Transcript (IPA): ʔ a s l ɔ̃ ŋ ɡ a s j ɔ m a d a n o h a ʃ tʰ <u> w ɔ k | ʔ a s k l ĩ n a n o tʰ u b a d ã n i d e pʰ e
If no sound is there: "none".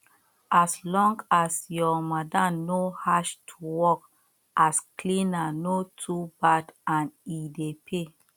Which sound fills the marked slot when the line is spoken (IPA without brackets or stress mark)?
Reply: u